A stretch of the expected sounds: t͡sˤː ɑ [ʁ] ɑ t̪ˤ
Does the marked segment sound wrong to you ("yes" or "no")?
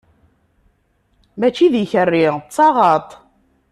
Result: no